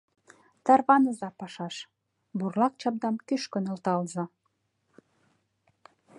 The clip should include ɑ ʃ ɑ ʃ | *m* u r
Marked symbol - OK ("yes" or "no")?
no